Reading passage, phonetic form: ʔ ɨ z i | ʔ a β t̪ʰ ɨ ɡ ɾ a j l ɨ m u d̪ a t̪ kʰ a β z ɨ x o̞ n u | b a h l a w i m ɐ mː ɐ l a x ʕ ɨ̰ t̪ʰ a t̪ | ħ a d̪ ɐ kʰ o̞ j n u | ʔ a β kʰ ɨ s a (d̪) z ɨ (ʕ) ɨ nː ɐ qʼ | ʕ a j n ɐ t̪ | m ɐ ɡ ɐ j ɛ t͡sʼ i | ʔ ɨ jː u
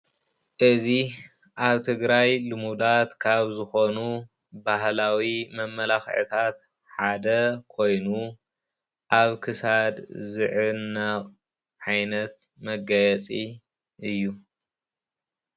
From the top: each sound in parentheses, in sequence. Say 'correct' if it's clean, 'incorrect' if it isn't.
correct, correct

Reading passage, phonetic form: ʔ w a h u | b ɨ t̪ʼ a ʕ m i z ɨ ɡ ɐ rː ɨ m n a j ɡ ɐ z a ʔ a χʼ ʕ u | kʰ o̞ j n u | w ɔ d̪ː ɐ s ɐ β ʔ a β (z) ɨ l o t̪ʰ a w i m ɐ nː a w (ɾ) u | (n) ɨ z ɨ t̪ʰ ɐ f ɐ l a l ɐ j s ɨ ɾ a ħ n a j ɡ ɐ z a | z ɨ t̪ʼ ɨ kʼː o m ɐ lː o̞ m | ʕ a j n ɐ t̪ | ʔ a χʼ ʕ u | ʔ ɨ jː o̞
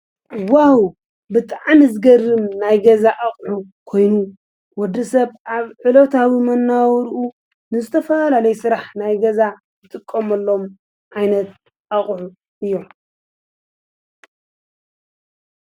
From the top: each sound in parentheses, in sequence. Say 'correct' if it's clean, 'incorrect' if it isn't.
incorrect, correct, correct

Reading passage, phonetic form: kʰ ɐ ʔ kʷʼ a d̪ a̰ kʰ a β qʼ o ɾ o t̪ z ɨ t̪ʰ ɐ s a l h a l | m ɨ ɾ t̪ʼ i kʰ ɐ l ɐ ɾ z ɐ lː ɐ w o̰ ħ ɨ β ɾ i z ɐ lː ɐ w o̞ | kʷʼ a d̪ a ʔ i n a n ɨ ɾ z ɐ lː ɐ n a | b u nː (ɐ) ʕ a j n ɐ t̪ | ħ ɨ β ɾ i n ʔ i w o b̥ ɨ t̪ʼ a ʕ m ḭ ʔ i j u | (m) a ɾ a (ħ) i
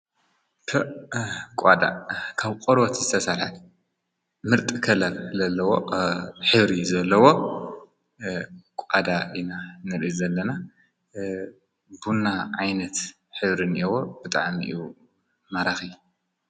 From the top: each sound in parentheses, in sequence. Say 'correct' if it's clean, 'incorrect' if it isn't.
incorrect, correct, incorrect

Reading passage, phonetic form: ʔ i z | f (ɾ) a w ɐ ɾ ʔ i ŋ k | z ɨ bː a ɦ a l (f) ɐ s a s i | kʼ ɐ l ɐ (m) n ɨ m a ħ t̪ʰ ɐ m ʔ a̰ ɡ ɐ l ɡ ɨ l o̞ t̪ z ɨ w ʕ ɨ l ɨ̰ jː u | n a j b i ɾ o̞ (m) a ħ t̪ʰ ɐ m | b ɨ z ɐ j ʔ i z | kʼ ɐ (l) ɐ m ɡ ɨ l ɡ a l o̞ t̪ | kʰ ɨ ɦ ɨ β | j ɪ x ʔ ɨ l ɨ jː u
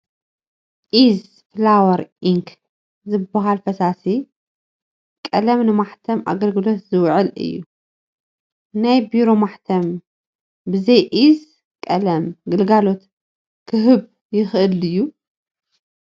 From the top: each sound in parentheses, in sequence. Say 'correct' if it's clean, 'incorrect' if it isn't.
incorrect, correct, correct, correct, correct

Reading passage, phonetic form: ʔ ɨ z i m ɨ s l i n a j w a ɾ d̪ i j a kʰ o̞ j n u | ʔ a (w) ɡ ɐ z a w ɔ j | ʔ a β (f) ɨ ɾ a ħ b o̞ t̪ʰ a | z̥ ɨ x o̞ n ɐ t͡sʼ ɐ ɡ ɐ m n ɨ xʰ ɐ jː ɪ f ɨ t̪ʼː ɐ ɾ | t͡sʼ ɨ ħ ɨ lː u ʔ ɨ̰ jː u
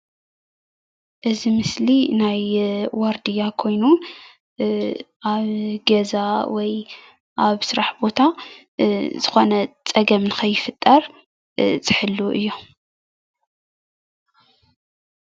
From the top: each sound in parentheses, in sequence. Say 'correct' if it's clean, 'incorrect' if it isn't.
incorrect, incorrect

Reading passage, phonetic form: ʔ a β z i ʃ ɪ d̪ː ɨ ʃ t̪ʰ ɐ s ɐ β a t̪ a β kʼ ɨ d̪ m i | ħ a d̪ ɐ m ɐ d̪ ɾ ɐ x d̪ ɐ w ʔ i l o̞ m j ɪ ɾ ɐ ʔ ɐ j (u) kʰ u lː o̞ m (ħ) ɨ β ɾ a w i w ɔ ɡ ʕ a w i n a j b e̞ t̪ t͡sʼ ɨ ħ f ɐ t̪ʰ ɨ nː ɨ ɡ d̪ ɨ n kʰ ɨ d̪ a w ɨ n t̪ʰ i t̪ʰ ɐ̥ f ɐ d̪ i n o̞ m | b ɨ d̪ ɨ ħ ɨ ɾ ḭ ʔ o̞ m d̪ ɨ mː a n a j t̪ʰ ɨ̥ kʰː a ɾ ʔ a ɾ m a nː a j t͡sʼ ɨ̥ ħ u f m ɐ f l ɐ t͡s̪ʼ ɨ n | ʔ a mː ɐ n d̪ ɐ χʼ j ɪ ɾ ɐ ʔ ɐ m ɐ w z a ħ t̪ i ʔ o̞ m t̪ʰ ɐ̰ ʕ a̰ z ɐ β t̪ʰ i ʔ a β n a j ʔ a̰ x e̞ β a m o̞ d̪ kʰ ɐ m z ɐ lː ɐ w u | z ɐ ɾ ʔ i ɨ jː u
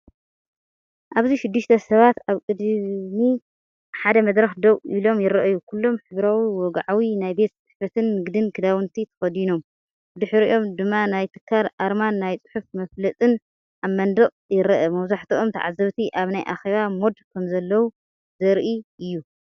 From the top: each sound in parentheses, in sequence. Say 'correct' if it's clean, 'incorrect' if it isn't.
correct, correct

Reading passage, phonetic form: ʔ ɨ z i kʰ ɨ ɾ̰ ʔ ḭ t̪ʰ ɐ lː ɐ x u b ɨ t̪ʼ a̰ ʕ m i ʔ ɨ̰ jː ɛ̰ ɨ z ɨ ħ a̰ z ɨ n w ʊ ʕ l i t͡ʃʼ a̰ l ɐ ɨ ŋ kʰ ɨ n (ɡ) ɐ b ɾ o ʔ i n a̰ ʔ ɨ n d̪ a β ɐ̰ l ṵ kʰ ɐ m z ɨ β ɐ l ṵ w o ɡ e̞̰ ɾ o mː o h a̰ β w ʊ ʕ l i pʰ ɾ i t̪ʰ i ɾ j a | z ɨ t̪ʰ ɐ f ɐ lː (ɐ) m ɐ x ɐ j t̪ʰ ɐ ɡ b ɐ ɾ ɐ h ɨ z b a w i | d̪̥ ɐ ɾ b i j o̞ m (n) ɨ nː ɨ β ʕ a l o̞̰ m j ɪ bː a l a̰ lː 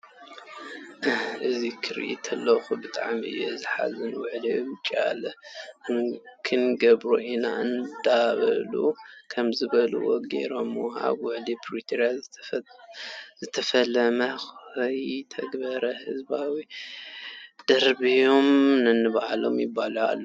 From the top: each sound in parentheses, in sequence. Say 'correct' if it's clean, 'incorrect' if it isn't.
correct, correct, correct

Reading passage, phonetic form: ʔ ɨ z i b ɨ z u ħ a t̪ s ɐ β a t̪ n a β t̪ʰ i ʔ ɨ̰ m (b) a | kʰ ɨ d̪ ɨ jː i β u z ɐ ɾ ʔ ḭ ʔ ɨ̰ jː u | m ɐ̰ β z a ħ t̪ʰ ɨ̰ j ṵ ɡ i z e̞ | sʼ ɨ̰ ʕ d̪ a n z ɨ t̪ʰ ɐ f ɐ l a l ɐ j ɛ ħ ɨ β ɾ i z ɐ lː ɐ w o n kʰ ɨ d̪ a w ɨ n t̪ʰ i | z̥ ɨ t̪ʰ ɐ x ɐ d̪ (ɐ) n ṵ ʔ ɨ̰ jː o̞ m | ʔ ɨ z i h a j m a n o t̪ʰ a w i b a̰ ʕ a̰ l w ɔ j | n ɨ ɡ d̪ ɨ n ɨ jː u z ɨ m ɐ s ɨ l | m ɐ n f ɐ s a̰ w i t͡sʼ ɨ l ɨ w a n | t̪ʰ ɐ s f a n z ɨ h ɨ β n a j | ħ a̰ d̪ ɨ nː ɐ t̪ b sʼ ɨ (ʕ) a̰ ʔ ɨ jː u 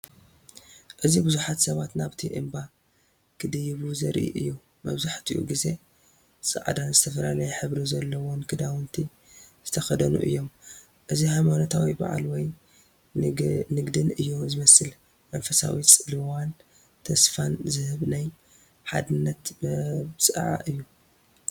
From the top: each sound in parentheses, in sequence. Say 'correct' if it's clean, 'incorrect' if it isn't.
correct, correct, correct

